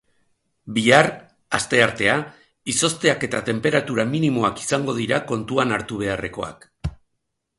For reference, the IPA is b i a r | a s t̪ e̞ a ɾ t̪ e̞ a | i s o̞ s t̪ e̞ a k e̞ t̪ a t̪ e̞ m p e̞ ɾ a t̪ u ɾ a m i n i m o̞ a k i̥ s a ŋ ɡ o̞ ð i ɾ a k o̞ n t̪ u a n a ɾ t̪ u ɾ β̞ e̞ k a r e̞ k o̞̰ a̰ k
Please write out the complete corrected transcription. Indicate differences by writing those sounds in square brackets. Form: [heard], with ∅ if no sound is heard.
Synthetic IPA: b i a r | a s t̪ e̞ a ɾ t̪ e̞ a | i s o̞ s t̪ e̞ a k e̞ t̪ a t̪ e̞ m p e̞ ɾ a t̪ u ɾ a m i n i m o̞ a k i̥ s a ŋ ɡ o̞ ð i ɾ a k o̞ n t̪ u a n a ɾ t̪ u [∅] β̞ e̞ [∅] a r e̞ k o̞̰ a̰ k